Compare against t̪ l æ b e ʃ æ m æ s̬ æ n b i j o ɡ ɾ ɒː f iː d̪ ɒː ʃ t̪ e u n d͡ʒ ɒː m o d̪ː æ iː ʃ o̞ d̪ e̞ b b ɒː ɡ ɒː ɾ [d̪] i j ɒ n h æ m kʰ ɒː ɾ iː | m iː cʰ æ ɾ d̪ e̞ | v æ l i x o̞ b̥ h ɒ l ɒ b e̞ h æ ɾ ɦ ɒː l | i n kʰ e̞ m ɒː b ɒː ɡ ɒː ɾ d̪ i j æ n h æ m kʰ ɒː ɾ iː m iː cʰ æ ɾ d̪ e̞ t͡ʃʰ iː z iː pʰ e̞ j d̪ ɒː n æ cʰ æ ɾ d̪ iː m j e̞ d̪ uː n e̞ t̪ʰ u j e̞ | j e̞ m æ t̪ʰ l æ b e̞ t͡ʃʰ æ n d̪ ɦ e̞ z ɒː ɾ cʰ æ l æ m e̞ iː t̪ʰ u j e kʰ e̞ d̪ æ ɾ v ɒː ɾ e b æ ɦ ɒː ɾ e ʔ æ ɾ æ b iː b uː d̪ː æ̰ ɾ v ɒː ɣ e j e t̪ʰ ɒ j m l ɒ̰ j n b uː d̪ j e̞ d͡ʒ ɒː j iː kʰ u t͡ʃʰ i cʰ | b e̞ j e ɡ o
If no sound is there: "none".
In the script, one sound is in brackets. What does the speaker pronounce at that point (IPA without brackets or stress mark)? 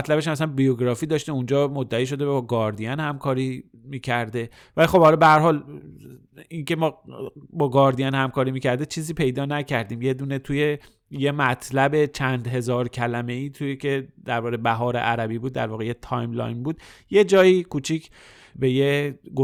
d̪